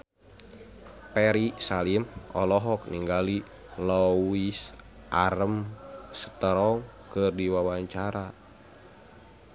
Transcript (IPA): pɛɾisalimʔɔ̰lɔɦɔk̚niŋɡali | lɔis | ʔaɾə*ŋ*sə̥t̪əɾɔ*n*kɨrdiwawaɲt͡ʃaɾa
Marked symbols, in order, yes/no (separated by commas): no, no